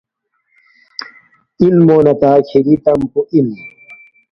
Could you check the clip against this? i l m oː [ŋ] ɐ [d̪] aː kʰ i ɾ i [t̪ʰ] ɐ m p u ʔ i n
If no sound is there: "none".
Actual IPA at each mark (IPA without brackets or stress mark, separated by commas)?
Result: n, t̪, t̪